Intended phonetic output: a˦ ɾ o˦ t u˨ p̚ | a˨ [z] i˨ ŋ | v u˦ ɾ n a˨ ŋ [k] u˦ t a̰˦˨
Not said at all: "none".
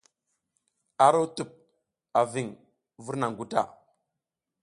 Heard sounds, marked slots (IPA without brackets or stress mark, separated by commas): v, ɡ